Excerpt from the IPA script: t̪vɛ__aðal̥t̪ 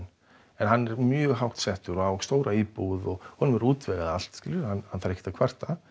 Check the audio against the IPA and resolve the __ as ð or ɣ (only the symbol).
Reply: ɣ